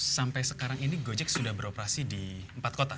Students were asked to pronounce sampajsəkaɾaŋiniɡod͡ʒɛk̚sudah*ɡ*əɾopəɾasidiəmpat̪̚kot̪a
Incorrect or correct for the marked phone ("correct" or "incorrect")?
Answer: incorrect